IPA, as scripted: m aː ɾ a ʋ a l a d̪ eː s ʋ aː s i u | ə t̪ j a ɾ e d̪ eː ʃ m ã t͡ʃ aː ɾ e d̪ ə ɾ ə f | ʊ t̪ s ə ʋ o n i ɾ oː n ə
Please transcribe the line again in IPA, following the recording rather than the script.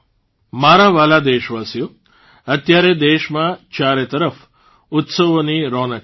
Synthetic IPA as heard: m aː ɾ a ʋ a l a d̪ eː ʃ ʋ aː s j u | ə t̪ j a ɾ e d̪ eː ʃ m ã t͡ʃ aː ɾ e t̪ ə ɾ ə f | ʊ t̪ s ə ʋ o n i ɾ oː n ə

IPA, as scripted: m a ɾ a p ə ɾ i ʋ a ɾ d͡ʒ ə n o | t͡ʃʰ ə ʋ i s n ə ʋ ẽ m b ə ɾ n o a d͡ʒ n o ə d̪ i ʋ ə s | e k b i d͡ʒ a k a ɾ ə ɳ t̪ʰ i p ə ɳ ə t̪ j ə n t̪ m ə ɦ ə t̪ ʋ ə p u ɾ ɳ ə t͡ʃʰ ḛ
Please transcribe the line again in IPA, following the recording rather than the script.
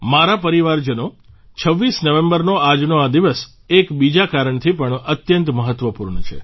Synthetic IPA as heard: m a ɾ a p ə ɾ i ʋ a ɾ d͡ʒ ə n o | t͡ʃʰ ə ʋː i s n ə ʋ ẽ m b ə ɾ n o a d͡ʒ n o a d̪ i ʋ ə s | e k b i d͡ʒ a k a ɾ ə ɳ t̪ʰ i p ə ɳ ə t̪ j ə n t̪ m ə ɦ ə t̪ ʋ ə p u ɾ ɳ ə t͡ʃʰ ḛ

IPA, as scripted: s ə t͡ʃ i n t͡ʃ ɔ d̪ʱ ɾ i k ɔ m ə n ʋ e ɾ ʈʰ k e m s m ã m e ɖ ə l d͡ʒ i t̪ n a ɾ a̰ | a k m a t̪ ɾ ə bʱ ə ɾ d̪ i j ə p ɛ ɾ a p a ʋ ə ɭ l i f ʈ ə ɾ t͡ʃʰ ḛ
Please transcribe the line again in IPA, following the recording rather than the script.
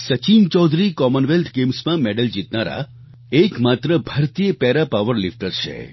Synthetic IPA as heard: s ə t͡ʃ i n t͡ʃ ɔ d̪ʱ ɾ i k ɔ m ə n ʋ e l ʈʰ ɡ e m s m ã m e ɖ ə l d͡ʒ i t̪ n a ɾ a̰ | e k m a t̪ ɾ ə bʱ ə ɾ t̪ i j ə p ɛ ɾ a p a ʋ ə ɾ l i f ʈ ə ɾ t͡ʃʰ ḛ

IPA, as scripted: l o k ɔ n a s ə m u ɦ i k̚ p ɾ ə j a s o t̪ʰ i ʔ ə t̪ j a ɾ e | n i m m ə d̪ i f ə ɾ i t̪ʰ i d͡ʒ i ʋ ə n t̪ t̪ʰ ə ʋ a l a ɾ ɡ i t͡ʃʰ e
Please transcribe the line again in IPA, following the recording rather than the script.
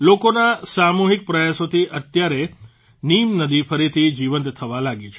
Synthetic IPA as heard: l o k o n a s a m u ɦ i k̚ p ɾ ə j a s o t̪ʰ i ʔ ə t̪ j a ɾ e | n i m n ə d̪ i f ə ɾ i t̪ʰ i d͡ʒ i ʋ ə n t̪ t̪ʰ ə ʋ a l a ɡ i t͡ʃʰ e

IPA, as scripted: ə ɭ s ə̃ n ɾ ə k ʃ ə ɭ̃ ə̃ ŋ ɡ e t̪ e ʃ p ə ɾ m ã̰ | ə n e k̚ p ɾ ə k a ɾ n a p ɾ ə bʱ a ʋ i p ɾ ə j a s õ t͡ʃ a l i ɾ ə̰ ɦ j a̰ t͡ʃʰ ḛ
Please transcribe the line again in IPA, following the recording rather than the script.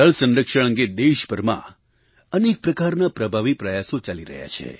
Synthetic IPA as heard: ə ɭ s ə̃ n ɾ ə k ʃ ə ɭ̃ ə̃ ŋ ɡ e d̪ e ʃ p ə ɾ m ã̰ | ə n e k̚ p ɾ ə k a ɾ n a p ɾ ə bʱ a ʋ i p ɾ ə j a s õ t͡ʃ a l i ɾ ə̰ ɦ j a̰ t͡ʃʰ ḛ

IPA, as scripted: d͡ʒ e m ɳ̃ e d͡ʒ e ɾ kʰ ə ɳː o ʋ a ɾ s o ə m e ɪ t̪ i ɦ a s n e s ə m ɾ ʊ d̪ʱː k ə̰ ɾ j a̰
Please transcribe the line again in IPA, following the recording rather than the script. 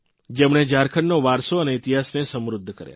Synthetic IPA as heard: d͡ʒ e m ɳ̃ e d͡ʒ a ɾ kʰ ə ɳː o ʋ a ɾ s o ə n e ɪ t̪ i ɦ a s n e s ə m ɾ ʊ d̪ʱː k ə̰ ɾ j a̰

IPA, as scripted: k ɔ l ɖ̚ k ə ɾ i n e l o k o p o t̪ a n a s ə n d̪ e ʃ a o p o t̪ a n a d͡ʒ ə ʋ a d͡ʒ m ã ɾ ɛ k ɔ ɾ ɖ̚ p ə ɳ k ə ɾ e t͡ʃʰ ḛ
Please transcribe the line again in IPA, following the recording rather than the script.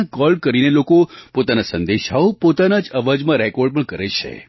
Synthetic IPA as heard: k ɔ l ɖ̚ k ə ɾ i n e l o k o p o t̪ a n a s ə n d̪ e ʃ a o p o t̪ a n a d͡ʒ ə ʋ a d͡ʒ m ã ɾ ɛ k ɔ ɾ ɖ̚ p ə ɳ k ə ɾ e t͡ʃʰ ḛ

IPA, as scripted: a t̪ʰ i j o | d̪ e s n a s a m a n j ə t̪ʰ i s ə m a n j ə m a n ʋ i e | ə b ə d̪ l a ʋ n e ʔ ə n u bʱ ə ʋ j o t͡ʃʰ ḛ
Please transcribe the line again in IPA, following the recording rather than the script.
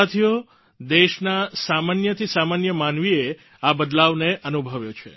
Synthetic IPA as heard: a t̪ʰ i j o | d̪ e ʃ n a s a m a n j ə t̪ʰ i s a m a n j ə m a n ʋ i e | a b ə d̪ l a ʋ n e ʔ ə n u bʱ ə ʋ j o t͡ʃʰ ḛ

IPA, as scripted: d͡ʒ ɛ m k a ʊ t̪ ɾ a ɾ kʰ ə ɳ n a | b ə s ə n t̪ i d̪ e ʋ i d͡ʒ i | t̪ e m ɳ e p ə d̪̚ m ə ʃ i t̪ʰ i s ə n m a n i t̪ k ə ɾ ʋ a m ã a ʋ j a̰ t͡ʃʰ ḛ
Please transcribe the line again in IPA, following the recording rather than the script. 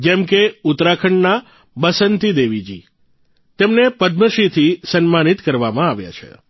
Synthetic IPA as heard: d͡ʒ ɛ m k e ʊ t̪ ɾ a kʰ ə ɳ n a | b ə s ə n t̪ i d̪ e ʋ i d͡ʒ i | t̪ e m n e p ə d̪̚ m ə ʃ i t̪ʰ i s ə n m a n i t̪ k ə ɾ ʋ a m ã a ʋ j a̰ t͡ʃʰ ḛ

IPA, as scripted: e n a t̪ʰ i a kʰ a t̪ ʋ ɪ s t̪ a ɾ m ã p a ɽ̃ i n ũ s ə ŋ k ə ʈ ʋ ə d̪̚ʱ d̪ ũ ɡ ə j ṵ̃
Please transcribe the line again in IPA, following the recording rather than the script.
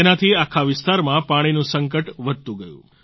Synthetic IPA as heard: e n a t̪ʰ i a kʰ a ʋ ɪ s t̪ a ɾ m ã p a ɽ̃ i n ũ s ə ŋ k ə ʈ ʋ ə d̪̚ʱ t̪ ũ ɡ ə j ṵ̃

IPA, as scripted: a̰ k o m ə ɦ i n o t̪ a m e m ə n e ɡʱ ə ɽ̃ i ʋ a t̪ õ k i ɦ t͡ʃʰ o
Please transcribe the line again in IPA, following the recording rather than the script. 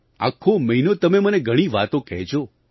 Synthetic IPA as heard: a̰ kʰ o m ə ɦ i n o t̪ ə m e m ə n e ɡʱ ə ɽ̃ i ʋ a t̪ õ k ɛ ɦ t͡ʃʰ o

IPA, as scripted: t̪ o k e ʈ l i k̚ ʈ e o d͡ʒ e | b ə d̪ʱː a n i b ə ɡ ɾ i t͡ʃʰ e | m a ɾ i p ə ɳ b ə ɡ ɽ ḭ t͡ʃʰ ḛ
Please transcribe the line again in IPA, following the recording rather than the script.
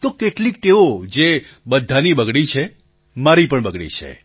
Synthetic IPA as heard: t̪ o k e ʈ l i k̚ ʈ e o d͡ʒ e | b ə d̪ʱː a n i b ə ɡ ɽ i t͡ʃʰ e | m a ɾ i p ə ɳ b ə ɡ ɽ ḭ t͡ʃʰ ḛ

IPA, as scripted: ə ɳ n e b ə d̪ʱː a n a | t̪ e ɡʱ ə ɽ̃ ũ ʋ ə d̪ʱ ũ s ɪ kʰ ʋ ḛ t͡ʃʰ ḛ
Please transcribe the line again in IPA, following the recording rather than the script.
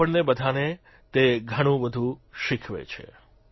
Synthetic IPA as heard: ə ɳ n e b ə d̪ʱ a n e | t̪ e ɡʱ ə ɽ̃ ũ ʋ ə d̪ʱ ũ ʃ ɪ kʰ ʋ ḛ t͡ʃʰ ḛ

